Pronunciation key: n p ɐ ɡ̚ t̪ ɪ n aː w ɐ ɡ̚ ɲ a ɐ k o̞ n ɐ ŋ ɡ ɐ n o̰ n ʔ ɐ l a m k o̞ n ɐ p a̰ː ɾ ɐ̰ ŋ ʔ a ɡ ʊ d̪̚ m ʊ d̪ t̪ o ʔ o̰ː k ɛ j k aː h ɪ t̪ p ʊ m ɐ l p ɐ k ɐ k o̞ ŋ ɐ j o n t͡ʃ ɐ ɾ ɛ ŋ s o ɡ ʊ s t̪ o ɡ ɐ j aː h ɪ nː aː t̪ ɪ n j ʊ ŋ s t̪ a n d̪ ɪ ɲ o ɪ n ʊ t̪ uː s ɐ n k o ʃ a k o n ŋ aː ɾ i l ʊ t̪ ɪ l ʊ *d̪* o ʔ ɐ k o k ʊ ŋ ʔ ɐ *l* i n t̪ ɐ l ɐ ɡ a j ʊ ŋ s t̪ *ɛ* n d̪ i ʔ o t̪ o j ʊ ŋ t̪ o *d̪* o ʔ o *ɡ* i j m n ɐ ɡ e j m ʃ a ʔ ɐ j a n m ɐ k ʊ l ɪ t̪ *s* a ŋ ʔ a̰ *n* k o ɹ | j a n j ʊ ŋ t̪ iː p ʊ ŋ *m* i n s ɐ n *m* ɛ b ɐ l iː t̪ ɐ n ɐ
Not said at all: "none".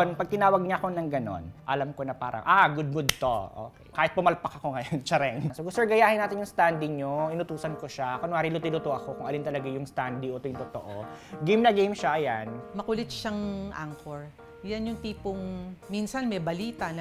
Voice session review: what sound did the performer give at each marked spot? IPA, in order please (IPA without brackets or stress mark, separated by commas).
t̪, l, a, t̪, ɡ, ʃ, ŋ, m, m